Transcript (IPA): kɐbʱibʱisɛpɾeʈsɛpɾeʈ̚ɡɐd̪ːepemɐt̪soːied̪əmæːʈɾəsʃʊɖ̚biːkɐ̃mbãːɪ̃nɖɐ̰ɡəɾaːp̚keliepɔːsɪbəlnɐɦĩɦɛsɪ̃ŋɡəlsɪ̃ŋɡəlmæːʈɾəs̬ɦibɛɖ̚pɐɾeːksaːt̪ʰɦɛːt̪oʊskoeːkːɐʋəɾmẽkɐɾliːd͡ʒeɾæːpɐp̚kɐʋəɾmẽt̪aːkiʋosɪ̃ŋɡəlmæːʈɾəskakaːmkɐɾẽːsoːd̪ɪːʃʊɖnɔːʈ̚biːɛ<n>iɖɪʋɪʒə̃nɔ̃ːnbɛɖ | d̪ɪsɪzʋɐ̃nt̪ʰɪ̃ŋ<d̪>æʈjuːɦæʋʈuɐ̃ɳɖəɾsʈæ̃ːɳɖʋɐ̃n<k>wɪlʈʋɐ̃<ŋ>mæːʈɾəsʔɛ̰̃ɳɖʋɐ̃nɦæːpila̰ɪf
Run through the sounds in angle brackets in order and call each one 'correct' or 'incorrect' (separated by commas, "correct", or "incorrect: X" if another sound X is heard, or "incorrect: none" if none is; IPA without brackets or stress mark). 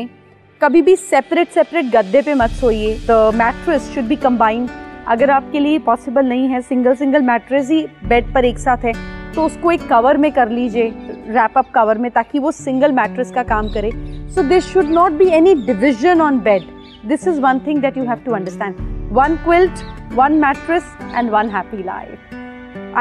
correct, correct, correct, incorrect: n